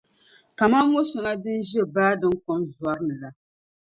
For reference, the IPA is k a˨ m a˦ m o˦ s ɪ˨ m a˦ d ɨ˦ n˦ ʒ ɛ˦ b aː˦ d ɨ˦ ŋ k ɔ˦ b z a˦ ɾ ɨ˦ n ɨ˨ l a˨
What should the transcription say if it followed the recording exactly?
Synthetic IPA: k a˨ m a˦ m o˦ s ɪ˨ ŋ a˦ d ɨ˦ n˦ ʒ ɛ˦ b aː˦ d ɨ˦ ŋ k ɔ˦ m z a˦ ɾ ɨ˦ n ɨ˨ l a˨

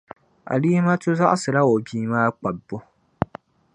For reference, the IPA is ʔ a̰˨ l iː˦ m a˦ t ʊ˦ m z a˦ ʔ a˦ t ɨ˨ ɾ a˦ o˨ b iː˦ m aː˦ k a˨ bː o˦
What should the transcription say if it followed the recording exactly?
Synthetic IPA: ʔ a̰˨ l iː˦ m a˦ t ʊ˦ z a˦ ʔ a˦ s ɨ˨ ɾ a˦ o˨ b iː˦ m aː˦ k͡p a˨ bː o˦

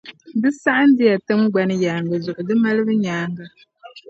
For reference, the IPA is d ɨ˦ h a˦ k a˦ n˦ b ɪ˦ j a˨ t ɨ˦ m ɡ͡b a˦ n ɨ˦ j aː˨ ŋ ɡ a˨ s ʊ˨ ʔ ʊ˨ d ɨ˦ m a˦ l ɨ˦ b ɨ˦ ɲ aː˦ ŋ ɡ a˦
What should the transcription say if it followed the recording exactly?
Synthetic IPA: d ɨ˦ s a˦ ʔ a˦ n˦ d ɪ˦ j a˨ t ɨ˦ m ɡ͡b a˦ n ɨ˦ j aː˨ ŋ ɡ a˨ z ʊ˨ ʔ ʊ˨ d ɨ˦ m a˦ l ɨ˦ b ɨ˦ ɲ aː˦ ŋ ɡ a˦

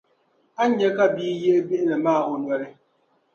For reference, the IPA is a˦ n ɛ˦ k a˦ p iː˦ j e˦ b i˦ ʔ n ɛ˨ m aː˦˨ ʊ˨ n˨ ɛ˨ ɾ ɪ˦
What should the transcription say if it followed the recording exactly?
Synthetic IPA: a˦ ɲ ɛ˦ k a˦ b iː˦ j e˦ b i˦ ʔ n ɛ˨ m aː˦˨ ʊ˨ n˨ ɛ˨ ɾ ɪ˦

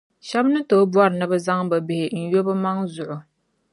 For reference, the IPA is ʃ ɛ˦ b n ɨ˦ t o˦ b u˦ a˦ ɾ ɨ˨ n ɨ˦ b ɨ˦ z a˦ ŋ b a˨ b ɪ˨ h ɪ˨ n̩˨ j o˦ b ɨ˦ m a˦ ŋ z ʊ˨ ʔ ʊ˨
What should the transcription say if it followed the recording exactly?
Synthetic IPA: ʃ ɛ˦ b n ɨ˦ t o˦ b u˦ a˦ ɾ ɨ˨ n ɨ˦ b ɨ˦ z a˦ ŋ b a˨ b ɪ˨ h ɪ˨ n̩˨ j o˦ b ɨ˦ m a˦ ŋ z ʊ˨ ʔ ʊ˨

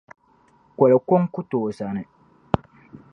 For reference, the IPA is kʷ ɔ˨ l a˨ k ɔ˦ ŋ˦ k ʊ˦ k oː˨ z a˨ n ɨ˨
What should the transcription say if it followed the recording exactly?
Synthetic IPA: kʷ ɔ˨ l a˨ k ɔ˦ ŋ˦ k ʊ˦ t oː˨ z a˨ n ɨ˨

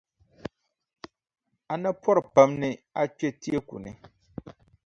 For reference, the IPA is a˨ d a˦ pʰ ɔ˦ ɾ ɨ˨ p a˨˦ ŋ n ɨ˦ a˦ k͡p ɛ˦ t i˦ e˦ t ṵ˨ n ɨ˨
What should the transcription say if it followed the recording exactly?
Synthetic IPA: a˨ n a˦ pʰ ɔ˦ ɾ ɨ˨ p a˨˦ m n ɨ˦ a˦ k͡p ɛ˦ t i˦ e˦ k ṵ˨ n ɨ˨

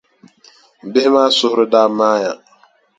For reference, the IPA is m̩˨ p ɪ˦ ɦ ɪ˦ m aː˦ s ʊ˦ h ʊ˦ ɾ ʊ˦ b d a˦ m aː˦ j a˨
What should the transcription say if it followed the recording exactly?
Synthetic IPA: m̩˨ b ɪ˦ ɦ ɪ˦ m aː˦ s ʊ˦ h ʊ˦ ɾ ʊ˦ d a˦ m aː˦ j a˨

